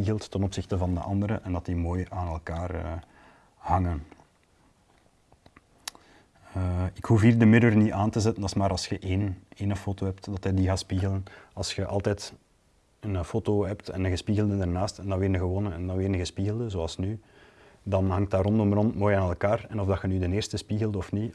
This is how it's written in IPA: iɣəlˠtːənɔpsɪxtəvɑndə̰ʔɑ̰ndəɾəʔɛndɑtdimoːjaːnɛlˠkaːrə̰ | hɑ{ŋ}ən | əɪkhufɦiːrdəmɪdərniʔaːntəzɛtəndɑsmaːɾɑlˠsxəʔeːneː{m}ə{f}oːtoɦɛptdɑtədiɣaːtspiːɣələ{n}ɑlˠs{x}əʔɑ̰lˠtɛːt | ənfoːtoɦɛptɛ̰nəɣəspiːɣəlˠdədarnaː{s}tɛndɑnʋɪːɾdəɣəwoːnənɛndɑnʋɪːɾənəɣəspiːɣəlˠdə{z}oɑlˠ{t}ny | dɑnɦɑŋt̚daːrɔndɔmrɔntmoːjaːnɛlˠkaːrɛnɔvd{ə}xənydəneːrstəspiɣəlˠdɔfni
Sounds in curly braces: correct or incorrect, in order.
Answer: correct, incorrect: n, correct, correct, correct, correct, correct, incorrect: s, incorrect: ɑ

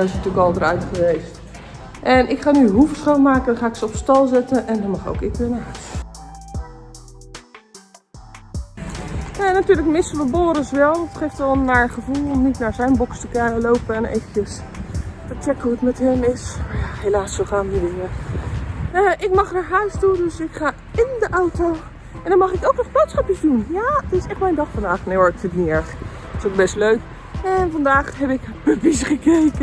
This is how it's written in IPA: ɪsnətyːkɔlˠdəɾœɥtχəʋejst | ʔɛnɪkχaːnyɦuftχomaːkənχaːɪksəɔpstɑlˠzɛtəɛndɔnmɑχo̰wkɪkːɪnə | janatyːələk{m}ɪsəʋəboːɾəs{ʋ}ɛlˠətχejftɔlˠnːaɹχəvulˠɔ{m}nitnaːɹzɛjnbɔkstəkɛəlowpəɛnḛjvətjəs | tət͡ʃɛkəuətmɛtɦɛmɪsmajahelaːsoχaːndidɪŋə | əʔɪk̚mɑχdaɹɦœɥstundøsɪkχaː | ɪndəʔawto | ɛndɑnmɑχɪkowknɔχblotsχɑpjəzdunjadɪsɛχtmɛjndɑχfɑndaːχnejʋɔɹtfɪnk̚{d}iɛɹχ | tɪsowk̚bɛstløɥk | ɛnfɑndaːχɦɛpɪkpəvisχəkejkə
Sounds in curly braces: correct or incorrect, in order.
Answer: correct, correct, correct, incorrect: n

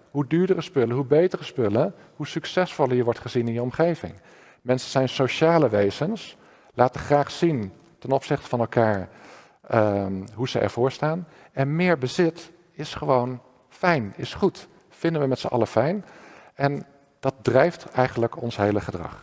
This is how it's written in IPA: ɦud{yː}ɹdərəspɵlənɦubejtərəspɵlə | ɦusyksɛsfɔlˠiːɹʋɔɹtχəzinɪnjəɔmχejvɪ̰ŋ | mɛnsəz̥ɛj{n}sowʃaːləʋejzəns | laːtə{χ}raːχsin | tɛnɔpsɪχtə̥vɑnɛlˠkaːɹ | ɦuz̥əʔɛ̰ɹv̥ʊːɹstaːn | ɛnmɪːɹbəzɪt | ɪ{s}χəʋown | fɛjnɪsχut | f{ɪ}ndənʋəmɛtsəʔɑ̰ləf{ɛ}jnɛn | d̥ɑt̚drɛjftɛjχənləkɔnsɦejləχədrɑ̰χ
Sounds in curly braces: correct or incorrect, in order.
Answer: correct, correct, correct, correct, correct, correct

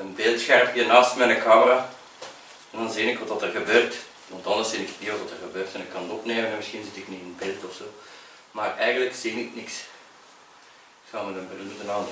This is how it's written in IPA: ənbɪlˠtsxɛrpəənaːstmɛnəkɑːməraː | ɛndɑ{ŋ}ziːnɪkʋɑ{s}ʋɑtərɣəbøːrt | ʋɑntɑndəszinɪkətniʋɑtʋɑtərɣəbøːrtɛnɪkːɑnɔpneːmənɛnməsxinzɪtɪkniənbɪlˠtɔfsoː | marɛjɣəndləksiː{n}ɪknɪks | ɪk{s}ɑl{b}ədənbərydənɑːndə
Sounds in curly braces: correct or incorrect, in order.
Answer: incorrect: n, incorrect: t, correct, correct, incorrect: m

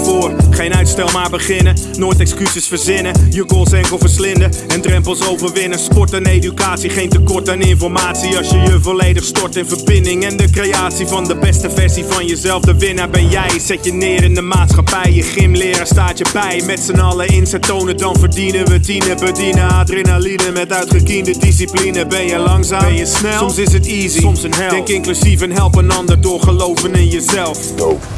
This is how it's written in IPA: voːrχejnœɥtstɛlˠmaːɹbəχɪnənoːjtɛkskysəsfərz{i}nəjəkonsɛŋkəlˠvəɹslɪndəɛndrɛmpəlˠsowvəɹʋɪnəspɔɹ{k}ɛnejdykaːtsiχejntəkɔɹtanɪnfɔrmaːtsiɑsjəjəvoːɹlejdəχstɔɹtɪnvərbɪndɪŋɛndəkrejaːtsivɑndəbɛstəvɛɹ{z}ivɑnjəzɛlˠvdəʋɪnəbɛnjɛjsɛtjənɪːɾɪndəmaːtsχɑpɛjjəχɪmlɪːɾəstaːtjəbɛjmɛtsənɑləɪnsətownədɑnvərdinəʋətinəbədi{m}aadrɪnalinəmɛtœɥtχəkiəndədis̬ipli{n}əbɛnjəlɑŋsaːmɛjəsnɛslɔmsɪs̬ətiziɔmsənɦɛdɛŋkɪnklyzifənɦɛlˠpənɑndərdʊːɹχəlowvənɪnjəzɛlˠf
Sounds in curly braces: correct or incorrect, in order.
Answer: incorrect: ɪ, incorrect: t, incorrect: s, incorrect: n, correct

